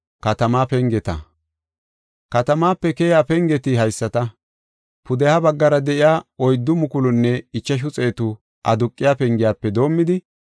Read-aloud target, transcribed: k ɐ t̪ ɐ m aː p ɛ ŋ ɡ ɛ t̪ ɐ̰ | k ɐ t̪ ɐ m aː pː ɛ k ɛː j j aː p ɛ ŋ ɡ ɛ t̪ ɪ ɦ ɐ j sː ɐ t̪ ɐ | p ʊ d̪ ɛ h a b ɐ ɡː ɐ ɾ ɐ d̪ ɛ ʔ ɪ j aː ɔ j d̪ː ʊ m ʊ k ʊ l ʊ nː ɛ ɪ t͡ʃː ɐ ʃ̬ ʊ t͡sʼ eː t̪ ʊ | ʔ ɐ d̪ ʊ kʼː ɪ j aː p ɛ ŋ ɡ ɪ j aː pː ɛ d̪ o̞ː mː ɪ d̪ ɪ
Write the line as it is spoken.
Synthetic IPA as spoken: k ɐ t̪ ɐ m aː p ɛ ŋ ɡ ɛ t̪ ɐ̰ | k ɐ t̪ ɐ m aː pː ɛ k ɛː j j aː p ɛ ŋ ɡ ɛ t̪ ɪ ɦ ɐ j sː ɐ t̪ ɐ | p ʊ d̪ ɛ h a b ɐ ɡː ɐ ɾ ɐ d̪ ɛ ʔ ɪ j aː ɔ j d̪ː ʊ m ʊ k ʊ l ʊ nː ɛ ɪ t͡ʃː ɐ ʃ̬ ʊ t͡sʼ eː t̪ ʊ | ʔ ɐ d̪ ʊ kʼː ɪ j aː p ɛ ŋ ɡ ɪ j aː pː ɛ d̪ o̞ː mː ɪ d̪ ɪ